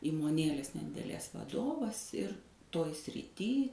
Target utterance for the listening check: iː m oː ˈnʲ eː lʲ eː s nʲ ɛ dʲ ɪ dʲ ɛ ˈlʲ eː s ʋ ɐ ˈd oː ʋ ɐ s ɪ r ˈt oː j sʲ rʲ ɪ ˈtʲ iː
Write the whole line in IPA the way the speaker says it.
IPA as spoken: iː m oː ˈnʲ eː lʲ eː s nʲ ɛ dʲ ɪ dʲ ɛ ˈlʲ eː s ʋ ɐ ˈd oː ʋ ɐ s ɪ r ˈt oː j sʲ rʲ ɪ ˈtʲ iː